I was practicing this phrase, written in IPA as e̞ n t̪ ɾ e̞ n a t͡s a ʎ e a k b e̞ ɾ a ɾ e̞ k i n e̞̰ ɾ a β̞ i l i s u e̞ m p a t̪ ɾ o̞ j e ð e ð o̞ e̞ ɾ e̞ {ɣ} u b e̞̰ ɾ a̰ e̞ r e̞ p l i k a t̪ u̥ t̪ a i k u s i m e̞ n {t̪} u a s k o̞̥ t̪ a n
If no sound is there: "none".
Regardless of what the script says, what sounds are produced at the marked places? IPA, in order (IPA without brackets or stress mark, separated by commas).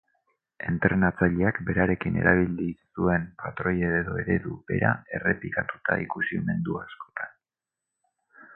ð, d̪